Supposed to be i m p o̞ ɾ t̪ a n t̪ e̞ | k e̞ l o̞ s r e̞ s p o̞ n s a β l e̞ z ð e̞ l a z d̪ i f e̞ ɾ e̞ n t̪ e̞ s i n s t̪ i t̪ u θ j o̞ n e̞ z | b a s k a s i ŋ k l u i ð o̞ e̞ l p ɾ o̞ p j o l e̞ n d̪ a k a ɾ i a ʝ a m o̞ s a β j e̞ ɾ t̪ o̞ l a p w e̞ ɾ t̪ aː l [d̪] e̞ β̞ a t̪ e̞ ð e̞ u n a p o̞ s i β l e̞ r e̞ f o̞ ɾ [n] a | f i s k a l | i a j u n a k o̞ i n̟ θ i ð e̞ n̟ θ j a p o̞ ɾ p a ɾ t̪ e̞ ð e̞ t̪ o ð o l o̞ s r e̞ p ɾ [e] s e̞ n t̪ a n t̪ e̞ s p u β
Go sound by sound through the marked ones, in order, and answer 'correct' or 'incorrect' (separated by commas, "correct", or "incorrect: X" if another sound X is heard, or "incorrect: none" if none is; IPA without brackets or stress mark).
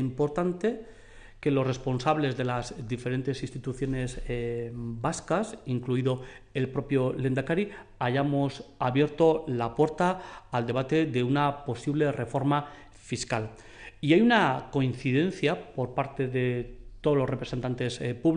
correct, incorrect: m, correct